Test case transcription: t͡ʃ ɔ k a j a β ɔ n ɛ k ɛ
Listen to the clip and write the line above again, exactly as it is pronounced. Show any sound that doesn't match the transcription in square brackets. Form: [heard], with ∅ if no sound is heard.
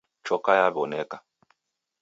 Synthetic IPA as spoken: t͡ʃ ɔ k a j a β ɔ n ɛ k [a]